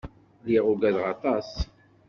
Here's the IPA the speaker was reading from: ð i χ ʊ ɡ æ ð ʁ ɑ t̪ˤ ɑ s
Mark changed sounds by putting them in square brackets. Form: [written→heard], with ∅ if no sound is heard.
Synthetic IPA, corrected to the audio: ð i [χ→ʁ] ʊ ɡ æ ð ʁ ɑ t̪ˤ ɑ s